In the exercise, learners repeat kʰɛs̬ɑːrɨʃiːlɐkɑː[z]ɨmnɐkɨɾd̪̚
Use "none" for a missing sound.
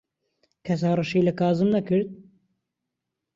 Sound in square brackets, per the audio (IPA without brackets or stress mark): z